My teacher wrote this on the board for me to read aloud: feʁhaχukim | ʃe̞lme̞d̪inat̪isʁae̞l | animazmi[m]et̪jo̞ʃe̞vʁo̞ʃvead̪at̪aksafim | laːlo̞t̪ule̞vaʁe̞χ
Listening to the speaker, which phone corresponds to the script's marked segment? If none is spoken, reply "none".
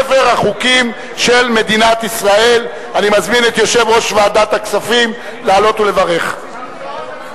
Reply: n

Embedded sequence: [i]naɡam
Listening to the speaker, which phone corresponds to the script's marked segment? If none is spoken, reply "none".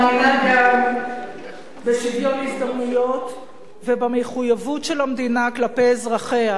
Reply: i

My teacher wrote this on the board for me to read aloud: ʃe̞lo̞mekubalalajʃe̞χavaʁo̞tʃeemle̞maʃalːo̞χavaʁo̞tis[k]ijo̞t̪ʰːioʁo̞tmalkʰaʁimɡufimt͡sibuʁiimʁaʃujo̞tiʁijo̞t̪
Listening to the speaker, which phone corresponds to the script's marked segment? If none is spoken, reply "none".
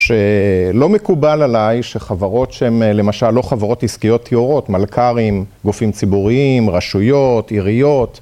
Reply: k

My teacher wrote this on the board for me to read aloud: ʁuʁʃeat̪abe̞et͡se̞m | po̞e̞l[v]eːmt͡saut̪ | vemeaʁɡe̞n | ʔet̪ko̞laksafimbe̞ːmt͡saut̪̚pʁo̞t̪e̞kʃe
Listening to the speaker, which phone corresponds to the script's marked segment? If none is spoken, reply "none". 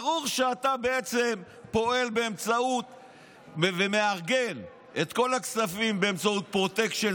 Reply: b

